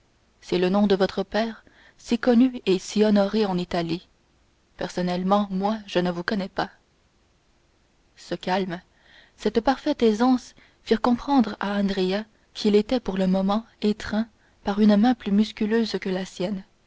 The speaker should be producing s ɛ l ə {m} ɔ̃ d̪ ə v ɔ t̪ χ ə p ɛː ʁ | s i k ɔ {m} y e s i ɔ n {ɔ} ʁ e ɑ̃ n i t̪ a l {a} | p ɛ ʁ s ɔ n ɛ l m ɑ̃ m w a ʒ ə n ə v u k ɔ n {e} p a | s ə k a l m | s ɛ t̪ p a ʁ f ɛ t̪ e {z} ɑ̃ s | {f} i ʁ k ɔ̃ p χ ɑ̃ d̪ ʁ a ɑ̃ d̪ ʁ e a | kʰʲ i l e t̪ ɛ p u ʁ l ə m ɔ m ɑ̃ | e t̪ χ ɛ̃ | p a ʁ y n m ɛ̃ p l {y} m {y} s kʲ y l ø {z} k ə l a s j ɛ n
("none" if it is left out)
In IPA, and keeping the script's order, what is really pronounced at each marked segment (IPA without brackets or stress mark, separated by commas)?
n, n, ɔ, i, ɛ, z, f, y, y, z